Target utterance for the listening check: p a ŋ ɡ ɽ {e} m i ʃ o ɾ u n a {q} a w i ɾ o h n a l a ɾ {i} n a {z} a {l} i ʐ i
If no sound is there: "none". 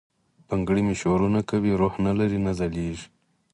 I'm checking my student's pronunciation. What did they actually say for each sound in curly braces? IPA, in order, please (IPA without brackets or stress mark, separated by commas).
i, k, i, z, l